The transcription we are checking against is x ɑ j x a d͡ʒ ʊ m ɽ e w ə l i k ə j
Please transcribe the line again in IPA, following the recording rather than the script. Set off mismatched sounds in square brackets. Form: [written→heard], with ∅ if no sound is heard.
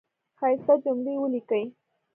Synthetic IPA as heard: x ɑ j [x→s] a d͡ʒ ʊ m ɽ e w ə l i k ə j